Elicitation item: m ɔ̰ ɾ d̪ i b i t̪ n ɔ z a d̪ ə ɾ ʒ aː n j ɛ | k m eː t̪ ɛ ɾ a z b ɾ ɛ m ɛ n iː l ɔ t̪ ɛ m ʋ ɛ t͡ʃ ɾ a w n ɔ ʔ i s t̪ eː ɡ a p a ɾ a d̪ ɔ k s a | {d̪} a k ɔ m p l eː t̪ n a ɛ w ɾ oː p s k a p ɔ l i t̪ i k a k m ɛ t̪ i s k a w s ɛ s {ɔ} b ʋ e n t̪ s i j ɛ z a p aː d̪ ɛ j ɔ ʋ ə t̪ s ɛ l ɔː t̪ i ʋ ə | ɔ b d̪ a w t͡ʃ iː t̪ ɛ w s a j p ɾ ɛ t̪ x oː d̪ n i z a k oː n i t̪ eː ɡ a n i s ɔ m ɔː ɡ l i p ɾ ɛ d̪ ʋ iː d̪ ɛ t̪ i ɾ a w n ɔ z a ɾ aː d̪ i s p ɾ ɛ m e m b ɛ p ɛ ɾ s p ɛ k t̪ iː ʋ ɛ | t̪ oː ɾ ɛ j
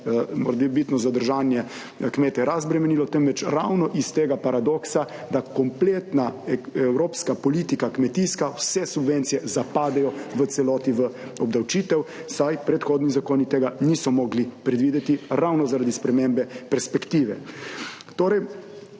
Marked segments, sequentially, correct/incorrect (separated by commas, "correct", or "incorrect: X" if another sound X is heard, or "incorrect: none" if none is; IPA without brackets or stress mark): correct, incorrect: u